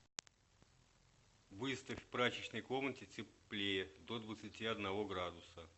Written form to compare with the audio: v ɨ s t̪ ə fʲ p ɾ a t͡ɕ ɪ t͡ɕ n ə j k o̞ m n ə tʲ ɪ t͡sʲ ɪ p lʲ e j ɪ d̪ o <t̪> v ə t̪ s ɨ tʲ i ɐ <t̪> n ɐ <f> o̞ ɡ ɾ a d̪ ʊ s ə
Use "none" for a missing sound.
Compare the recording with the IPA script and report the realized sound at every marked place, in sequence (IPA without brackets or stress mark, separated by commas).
d̪, d̪, v